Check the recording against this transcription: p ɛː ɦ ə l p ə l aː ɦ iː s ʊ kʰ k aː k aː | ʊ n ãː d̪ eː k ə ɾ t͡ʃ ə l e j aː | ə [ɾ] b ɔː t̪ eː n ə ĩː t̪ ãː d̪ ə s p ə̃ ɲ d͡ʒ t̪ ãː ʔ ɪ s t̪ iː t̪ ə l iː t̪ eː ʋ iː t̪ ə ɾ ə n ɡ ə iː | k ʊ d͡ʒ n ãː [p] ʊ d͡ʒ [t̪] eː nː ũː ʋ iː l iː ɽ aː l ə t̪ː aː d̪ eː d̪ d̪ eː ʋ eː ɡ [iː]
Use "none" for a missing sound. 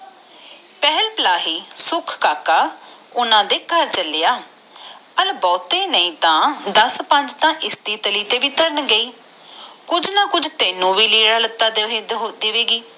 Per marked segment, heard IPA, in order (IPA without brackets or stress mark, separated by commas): l, k, t̪, iː